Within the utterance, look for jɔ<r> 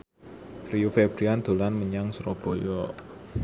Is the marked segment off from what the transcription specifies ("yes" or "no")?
yes